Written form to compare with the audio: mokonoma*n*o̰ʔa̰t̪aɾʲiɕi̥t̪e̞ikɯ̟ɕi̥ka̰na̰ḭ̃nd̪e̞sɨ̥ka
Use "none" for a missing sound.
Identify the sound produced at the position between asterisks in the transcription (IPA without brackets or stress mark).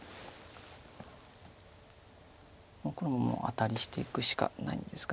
m